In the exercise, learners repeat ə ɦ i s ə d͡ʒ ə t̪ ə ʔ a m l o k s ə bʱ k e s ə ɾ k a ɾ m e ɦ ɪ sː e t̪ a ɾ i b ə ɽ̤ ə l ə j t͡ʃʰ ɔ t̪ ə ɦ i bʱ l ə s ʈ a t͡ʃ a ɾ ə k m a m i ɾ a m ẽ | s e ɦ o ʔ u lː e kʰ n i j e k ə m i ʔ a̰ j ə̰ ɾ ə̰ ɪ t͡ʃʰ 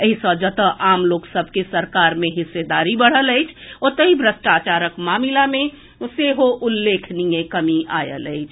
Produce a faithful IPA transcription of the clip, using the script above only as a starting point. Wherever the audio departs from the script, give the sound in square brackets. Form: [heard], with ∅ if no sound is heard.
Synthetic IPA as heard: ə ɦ i s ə d͡ʒ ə t̪ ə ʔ a m l o k s ə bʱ k e s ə ɾ k a ɾ m e ɦ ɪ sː e [d̪] a ɾ i b ə ɽ̤ ə l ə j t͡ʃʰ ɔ t̪ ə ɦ i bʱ [ɾ] ə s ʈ a t͡ʃ a ɾ ə k m a m i [l] a m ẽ | s e ɦ o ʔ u lː e kʰ n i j e k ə m i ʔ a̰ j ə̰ [l] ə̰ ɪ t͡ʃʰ